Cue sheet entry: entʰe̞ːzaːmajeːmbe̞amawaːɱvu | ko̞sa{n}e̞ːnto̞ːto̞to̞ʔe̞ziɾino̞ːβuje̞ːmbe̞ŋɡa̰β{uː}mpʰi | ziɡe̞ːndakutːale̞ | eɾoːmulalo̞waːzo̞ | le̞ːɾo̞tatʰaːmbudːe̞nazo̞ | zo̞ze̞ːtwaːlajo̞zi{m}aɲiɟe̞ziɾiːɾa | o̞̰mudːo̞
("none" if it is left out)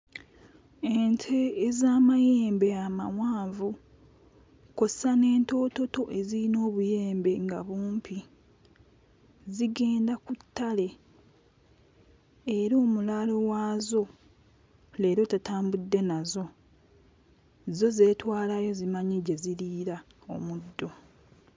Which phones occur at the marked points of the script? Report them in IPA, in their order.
n, uː, m

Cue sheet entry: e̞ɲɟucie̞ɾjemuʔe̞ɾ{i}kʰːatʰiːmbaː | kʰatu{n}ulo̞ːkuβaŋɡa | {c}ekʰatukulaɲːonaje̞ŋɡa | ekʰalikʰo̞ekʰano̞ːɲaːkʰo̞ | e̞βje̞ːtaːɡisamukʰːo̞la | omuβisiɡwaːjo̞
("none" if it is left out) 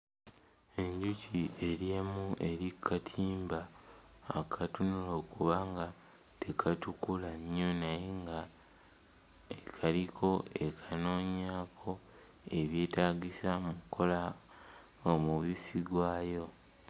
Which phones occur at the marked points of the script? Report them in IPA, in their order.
i, n, t

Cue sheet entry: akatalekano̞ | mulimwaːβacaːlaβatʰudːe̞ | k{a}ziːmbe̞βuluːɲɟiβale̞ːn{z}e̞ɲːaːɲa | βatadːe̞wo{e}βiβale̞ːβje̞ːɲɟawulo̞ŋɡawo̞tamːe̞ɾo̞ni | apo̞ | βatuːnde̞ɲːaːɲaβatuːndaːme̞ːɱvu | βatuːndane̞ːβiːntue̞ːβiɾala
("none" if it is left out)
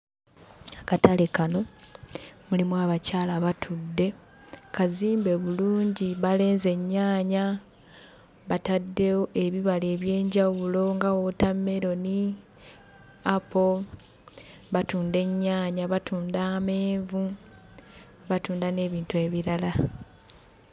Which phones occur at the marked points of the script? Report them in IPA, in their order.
a, z, e

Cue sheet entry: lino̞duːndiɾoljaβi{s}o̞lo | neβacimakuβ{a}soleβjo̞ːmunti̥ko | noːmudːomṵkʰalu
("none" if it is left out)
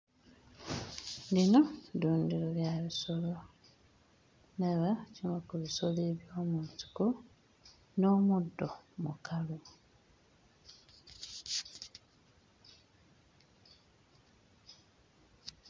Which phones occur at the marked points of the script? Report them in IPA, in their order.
s, i

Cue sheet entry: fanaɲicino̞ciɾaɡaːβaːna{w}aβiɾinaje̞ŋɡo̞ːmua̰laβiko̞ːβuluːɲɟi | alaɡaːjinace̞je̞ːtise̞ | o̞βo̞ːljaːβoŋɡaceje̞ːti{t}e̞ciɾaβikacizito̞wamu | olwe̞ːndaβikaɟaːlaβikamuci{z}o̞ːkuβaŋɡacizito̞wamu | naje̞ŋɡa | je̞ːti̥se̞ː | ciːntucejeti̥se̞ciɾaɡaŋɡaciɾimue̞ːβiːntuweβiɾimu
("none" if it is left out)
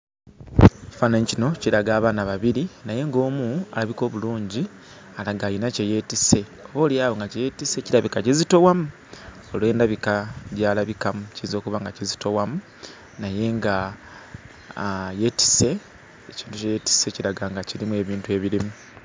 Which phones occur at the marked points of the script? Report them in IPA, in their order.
β, s, z

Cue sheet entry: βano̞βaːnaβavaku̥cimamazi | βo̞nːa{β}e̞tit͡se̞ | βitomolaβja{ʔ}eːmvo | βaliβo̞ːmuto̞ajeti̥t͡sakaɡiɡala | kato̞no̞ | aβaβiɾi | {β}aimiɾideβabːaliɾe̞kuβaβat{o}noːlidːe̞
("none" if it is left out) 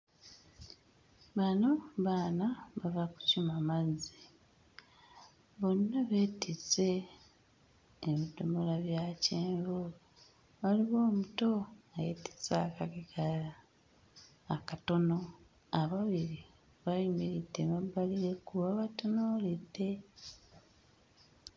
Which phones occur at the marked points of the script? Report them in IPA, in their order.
β, c, β, o

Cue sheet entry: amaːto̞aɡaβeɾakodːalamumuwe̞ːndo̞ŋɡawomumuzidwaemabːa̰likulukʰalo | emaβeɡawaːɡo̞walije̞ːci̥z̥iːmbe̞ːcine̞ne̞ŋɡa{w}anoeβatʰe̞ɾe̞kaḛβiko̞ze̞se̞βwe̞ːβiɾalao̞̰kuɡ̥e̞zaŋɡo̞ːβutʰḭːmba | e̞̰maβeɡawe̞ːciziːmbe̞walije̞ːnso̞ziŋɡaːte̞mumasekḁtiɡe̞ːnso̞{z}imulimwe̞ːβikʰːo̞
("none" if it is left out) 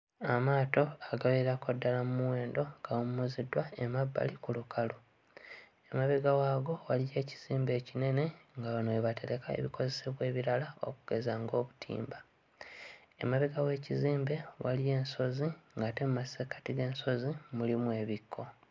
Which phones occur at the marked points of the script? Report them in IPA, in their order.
β, z

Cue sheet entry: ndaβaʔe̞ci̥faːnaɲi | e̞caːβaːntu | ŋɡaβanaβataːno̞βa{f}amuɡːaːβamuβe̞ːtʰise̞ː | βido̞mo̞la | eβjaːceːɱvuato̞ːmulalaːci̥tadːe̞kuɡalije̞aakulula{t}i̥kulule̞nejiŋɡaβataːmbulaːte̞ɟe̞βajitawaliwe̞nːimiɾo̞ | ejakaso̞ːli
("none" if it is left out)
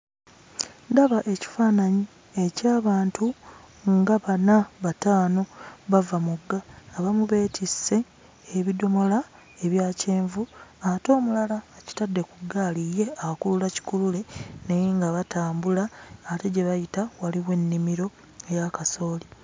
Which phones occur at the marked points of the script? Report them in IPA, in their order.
v, c

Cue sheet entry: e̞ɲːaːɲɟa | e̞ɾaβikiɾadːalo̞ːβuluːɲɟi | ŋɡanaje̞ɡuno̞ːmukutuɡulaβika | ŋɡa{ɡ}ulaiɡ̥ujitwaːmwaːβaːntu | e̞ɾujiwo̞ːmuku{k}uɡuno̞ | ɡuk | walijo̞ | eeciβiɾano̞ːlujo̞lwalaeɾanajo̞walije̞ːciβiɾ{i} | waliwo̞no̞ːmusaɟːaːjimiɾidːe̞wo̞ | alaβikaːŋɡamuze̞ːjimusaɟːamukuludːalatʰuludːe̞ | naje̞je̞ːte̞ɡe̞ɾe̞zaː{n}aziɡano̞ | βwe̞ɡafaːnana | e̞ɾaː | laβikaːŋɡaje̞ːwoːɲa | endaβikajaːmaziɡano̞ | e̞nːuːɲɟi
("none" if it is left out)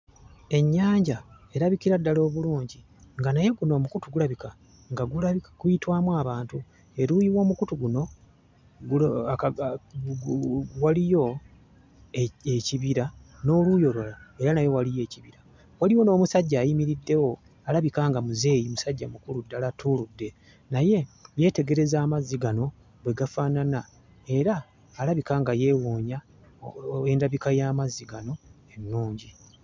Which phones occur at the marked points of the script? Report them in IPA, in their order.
ɡ, t, a, m

